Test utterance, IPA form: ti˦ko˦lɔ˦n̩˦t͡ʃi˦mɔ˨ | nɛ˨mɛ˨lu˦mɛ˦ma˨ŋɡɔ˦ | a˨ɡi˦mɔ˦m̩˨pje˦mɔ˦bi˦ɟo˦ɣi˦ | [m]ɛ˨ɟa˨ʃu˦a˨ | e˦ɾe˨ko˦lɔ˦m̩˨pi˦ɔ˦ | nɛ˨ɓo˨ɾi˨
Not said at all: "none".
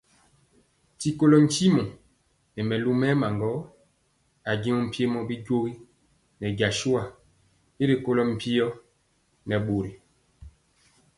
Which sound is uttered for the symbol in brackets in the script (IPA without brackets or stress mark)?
n